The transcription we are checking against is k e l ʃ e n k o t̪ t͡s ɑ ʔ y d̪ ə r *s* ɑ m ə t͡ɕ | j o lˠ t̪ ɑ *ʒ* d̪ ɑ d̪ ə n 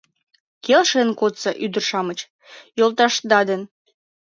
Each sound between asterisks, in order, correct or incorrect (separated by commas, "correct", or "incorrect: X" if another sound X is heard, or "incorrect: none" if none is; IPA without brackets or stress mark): incorrect: ʃ, incorrect: ʃ